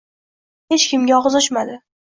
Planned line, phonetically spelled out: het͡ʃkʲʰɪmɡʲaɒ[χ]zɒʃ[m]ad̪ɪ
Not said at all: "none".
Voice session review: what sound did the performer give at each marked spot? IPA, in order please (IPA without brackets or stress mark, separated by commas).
ʁ, m